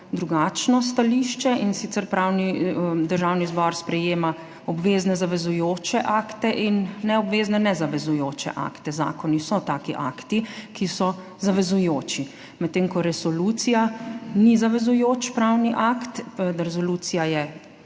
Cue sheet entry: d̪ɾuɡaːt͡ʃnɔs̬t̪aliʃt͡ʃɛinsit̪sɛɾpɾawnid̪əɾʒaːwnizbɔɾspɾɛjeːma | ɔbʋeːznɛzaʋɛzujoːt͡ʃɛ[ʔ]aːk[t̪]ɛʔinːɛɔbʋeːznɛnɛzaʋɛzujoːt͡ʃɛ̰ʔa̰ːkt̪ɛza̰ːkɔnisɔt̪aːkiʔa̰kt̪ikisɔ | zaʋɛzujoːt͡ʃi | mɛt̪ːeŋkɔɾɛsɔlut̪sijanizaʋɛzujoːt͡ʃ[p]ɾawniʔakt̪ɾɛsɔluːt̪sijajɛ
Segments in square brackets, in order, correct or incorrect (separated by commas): correct, correct, correct